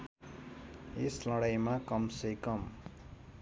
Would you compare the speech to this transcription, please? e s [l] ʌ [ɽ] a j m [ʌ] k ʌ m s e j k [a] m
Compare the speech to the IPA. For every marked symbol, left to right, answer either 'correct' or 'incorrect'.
correct, correct, incorrect, incorrect

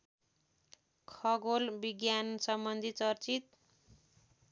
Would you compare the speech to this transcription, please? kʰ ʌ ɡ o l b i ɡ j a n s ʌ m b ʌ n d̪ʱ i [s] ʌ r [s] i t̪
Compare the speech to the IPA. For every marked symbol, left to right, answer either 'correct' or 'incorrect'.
incorrect, incorrect

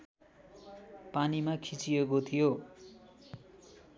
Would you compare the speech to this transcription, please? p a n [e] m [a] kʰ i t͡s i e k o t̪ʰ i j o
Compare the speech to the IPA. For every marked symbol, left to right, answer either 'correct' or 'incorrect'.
incorrect, correct

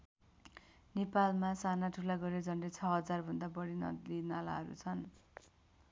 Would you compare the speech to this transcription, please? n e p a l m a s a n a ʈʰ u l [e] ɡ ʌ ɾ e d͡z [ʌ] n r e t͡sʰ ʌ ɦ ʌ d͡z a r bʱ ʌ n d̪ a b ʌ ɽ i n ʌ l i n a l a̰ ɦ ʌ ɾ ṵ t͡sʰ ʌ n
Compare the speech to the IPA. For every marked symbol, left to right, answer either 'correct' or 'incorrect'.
incorrect, correct

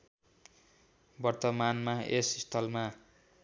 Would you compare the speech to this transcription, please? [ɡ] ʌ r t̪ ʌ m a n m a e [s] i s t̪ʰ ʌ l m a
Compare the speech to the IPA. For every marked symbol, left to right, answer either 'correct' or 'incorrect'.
incorrect, correct

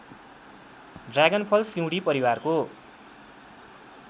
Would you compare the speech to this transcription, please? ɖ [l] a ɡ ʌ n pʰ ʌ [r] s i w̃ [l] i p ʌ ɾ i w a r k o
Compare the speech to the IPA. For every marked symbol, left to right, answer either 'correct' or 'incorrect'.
incorrect, incorrect, incorrect

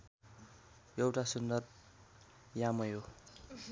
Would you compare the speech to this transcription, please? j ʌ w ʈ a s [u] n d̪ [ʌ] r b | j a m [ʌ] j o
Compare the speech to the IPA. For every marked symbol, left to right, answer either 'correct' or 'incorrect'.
correct, correct, correct

